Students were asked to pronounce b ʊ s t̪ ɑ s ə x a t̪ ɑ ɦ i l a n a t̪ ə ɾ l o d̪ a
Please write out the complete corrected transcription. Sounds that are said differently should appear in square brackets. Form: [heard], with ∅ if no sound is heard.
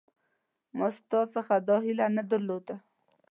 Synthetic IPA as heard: [m] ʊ s t̪ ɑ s ə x a [d̪] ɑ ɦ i l a n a [d̪] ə ɾ l o d̪ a